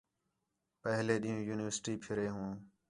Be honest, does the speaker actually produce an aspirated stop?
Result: yes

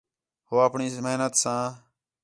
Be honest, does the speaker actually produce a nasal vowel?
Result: yes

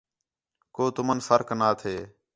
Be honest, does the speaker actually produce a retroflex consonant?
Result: no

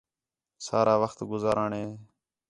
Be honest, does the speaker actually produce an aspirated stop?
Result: no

